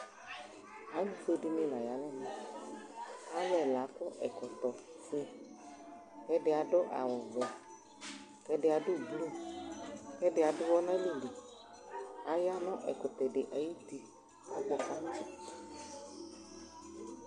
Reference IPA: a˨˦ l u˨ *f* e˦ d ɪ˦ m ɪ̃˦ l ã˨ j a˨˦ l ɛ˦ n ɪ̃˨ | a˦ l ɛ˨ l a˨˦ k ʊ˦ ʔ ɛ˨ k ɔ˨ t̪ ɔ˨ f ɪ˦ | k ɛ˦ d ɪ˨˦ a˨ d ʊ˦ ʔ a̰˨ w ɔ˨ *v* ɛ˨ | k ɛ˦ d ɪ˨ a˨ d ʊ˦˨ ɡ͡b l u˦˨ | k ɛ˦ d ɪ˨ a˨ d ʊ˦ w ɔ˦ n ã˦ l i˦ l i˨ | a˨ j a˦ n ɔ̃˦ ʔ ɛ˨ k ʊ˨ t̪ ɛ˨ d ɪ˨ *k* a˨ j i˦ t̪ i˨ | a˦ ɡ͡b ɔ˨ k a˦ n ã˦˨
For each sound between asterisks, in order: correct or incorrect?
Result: correct, correct, incorrect

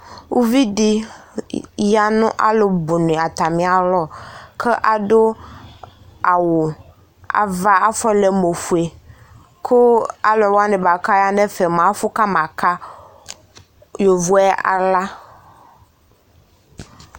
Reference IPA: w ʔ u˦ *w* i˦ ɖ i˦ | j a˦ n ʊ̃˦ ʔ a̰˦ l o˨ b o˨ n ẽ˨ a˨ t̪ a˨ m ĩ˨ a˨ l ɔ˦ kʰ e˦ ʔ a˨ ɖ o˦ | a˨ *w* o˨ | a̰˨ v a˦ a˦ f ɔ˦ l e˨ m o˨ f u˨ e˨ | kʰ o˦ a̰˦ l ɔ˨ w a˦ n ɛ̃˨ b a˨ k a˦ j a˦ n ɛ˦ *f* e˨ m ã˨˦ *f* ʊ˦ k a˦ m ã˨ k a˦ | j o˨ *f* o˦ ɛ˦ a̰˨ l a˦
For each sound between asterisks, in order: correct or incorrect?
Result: incorrect, correct, correct, correct, incorrect

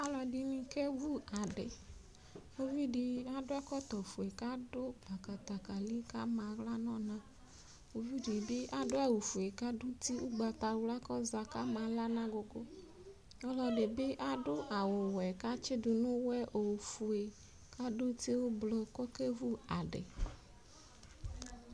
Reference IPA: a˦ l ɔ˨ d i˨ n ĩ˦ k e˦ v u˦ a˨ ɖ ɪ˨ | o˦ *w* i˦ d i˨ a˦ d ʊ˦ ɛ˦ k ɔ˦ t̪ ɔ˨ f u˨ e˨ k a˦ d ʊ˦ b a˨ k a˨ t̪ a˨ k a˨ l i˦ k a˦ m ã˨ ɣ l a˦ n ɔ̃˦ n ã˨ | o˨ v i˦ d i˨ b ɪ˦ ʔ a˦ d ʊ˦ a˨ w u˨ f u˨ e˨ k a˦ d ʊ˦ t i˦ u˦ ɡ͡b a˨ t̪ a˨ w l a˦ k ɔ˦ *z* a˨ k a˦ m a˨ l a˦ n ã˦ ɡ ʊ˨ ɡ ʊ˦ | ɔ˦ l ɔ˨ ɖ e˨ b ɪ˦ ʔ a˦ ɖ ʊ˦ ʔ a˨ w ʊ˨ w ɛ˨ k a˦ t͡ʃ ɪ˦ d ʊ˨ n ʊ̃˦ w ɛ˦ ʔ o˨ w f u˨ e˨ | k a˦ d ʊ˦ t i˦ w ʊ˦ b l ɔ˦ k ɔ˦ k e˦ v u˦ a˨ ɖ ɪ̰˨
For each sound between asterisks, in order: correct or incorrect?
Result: incorrect, correct

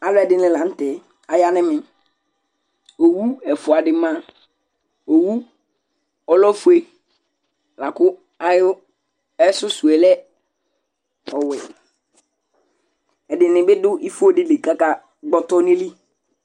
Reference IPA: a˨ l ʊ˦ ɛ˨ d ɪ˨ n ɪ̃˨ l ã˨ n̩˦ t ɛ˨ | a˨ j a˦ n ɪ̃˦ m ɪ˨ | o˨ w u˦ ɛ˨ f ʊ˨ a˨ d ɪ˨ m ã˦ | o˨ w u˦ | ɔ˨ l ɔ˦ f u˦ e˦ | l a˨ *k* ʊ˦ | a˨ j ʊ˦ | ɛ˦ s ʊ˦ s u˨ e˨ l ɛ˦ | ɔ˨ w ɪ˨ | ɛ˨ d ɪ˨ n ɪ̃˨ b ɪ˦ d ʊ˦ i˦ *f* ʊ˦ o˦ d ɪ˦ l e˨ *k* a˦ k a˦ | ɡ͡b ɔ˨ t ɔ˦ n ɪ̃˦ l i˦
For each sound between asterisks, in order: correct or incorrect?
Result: correct, correct, correct

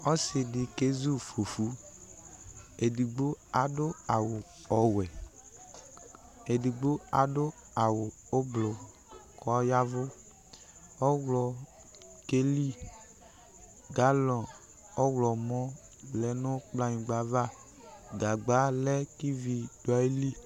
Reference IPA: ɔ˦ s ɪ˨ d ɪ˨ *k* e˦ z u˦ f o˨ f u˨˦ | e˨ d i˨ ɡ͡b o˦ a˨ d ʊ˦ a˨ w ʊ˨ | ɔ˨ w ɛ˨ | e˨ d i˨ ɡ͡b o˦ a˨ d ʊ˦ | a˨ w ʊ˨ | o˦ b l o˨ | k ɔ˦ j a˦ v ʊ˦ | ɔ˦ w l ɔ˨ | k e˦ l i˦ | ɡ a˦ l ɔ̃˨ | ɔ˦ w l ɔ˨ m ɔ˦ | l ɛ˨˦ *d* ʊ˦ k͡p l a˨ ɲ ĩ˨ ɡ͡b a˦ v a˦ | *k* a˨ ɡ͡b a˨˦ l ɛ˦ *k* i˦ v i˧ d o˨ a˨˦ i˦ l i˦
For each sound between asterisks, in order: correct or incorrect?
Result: correct, incorrect, incorrect, correct

